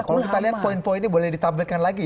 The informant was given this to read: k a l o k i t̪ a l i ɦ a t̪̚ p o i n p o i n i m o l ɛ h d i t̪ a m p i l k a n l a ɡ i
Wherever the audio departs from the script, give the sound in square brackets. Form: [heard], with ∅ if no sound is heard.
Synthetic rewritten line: k a l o k i t̪ a l i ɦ a t̪̚ p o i n p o i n i [b] o l ɛ h d i t̪ a m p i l k a n l a ɡ i